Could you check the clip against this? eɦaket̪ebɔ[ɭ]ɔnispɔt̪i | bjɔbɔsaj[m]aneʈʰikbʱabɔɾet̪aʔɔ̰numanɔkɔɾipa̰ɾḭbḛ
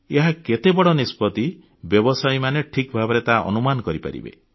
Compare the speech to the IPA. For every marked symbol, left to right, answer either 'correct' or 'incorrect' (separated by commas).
incorrect, correct